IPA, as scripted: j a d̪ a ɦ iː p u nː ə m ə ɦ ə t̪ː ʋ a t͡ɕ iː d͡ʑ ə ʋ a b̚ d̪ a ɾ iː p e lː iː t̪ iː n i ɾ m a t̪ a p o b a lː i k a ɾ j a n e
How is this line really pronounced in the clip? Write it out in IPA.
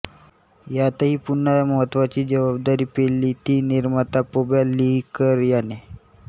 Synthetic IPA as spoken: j a t̪ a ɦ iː p u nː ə m ə ɦ ə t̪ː ʋ a t͡ɕ iː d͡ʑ ə ʋ a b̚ d̪ a ɾ iː p e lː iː t̪ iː n i ɾ m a t̪ a p o b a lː i k ə ɾ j a n e